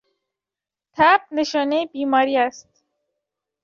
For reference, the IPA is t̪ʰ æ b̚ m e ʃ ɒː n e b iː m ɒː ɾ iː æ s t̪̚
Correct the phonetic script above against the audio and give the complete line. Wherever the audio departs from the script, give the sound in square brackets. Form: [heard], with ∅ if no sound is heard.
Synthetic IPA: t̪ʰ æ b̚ [n] e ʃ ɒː n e b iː m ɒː ɾ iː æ s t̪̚